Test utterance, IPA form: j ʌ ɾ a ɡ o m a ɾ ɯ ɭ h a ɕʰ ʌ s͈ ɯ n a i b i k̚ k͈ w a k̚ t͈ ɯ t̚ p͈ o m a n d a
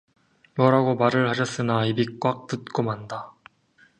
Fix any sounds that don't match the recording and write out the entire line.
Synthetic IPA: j ʌ ɾ a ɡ o m a ɾ ɯ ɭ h a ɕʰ ʌ s͈ ɯ n a i b i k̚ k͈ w a k̚ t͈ ɯ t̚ k͈ o m a n d a

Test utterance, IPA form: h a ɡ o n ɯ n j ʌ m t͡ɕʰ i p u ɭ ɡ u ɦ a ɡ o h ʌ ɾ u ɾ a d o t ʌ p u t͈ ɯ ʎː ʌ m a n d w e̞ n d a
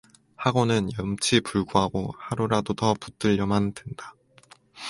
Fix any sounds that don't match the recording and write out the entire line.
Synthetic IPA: h a ɡ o n ɯ n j ʌ m t͡ɕʰ i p u ɭ ɡ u ɦ a ɡ o h a ɾ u ɾ a d o t ʌ p u t͈ ɯ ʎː ʌ m a n d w e̞ n d a

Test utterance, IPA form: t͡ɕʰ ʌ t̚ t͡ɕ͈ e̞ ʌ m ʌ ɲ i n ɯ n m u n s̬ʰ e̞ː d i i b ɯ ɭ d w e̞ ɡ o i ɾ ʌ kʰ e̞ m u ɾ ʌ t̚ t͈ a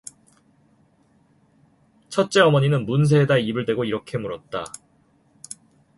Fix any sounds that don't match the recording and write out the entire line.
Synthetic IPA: t͡ɕʰ ʌ t̚ t͡ɕ͈ e̞ ʌ m ʌ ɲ i n ɯ n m u n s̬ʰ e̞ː d a i b ɯ ɭ d w e̞ ɡ o i ɾ ʌ kʰ e̞ m u ɾ ʌ t̚ t͈ a

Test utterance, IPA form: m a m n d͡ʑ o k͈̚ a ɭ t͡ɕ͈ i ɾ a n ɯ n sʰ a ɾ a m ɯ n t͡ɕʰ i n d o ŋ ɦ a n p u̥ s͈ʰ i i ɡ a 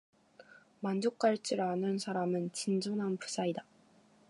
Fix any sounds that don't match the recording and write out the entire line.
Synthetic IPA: m a n d͡ʑ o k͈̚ a ɭ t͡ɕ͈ i ɾ a n ɯ n sʰ a ɾ a m ɯ n t͡ɕ i n d͡ʑ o n ɦ a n p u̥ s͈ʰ a i d a

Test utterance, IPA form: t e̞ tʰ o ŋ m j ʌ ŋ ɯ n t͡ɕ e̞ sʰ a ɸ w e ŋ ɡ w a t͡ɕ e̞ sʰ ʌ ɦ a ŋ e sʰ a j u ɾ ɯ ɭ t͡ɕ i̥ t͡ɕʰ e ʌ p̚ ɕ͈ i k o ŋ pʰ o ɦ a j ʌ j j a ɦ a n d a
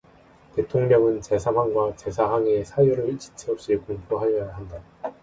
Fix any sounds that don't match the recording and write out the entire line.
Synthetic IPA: t e̞ tʰ o ŋ m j ʌ ŋ ɯ n t͡ɕ e̞ sʰ a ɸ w a ŋ ɡ w a t͡ɕ e̞ sʰ a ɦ a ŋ e sʰ a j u ɾ ɯ ɭ t͡ɕ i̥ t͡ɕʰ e ʌ p̚ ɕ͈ i k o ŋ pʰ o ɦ a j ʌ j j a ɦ a n d a

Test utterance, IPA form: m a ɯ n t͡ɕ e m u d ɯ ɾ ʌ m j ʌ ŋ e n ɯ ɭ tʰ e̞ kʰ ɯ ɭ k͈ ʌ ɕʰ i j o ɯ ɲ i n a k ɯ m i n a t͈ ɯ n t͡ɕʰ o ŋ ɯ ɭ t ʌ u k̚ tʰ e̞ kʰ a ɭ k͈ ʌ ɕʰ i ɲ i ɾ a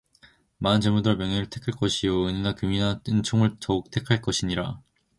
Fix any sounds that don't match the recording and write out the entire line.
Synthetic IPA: m a ɯ n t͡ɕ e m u d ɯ ɾ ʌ m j ʌ ŋ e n ɯ ɭ tʰ e̞ kʰ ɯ ɭ k͈ ʌ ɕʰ i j o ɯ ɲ i n a k ɯ m i n a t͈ ɯ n t͡ɕʰ o ŋ ɯ ɭ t ʌ u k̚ tʰ e̞ kʰ a ɭ k͈ ʌ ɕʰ i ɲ i ɾ a

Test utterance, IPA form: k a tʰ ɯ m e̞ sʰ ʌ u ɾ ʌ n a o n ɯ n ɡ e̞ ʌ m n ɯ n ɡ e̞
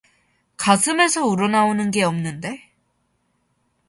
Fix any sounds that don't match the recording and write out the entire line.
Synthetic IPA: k a sʰ ɯ m e̞ sʰ ʌ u ɾ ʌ n a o n ɯ n ɡ e̞ ʌ m n ɯ n d e̞

